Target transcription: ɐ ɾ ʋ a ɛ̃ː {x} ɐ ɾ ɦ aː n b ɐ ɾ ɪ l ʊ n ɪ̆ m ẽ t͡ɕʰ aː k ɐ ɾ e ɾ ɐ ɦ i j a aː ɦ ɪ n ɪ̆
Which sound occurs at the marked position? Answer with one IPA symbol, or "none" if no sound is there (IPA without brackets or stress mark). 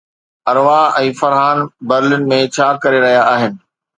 f